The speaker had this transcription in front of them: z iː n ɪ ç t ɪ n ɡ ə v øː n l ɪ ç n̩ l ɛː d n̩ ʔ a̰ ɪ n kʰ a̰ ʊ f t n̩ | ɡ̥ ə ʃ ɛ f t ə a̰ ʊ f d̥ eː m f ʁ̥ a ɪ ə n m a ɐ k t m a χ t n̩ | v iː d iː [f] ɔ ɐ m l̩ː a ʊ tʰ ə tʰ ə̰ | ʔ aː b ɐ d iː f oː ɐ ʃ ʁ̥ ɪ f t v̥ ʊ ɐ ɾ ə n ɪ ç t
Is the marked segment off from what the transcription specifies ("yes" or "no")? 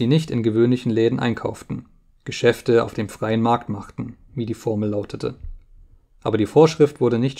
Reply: no